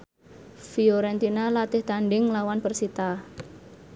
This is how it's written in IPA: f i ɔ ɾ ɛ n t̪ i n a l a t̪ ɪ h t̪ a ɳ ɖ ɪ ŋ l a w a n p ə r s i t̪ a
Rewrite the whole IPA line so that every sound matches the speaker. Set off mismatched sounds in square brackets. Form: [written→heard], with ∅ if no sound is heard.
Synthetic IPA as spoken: f i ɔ ɾ ɛ n t̪ i n a l a t̪ ɪ h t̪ a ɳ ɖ ɪ ŋ l a w a n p ə r s i t̪ a